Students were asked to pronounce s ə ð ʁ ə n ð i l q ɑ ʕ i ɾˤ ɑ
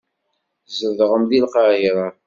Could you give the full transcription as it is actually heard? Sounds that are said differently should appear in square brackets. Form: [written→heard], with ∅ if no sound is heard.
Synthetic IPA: [s→z] ə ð ʁ ə [n→m] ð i l q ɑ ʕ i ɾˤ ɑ